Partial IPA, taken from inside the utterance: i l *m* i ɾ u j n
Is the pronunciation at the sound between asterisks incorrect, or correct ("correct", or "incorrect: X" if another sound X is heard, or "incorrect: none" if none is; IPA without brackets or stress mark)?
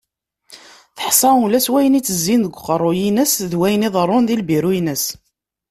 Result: incorrect: b